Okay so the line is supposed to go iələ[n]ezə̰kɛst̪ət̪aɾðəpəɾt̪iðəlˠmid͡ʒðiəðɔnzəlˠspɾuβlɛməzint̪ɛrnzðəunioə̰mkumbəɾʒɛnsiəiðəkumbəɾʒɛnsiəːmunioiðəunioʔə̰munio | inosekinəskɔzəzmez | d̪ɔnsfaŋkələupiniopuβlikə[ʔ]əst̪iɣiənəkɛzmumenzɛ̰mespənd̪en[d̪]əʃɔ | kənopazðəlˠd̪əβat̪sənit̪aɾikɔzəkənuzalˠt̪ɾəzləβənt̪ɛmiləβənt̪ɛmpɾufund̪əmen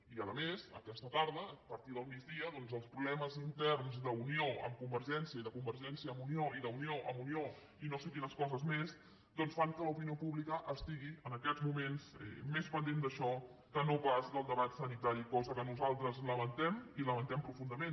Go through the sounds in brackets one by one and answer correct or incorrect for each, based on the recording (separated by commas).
incorrect, correct, correct